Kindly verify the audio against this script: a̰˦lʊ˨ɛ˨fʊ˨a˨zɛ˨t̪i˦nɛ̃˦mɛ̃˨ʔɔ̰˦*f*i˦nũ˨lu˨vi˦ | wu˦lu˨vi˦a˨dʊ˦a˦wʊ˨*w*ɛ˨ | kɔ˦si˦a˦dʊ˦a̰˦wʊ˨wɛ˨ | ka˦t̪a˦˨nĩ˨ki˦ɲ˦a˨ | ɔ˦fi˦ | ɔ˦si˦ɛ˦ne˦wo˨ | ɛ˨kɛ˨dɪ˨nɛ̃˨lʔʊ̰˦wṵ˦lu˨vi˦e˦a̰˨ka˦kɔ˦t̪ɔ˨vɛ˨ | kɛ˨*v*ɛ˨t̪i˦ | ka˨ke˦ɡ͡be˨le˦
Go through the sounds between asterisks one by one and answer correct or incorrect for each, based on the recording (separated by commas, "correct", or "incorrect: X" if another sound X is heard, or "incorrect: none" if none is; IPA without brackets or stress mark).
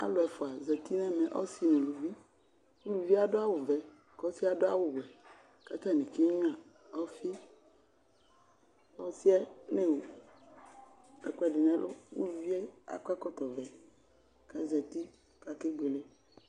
incorrect: s, incorrect: v, incorrect: z